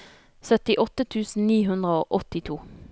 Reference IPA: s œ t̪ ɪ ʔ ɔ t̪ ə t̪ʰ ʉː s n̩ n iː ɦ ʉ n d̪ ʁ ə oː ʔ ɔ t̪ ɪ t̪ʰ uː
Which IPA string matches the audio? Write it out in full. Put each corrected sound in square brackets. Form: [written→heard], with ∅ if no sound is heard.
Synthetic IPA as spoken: s œ t̪ ɪ ʔ ɔ t̪ ə t̪ʰ ʉː s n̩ n iː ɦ ʉ n d̪ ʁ ə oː ʔ ɔ t̪ ɪ t̪ʰ uː